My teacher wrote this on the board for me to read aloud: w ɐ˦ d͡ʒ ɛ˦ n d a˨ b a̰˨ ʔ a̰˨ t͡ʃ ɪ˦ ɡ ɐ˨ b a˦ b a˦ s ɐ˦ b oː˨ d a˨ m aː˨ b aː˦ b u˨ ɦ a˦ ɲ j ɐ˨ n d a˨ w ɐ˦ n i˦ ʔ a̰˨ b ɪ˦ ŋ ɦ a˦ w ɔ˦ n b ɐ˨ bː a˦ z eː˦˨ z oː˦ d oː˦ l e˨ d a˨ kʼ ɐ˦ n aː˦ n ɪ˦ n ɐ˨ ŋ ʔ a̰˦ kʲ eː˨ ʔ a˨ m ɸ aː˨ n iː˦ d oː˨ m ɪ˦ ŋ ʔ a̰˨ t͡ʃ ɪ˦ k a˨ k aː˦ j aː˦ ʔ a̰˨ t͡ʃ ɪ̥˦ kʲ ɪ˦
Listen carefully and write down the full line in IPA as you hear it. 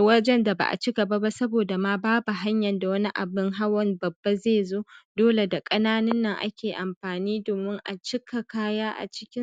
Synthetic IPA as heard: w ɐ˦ d͡ʒ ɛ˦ n d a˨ b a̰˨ ʔ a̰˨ t͡ʃ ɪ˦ ɡ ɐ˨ b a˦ b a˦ s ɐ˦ b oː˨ d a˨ m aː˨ b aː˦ b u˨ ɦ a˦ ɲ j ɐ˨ n d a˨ w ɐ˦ n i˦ ʔ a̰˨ b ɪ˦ ŋ ɦ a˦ w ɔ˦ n b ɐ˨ bː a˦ z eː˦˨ z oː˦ d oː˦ l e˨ d a˨ kʼ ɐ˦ n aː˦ n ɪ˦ nː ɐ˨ ŋ ʔ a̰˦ kʲ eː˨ ʔ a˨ m ɸ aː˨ n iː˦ d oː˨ m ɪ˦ ŋ ʔ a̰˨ t͡ʃ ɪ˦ k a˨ k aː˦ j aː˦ ʔ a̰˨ t͡ʃ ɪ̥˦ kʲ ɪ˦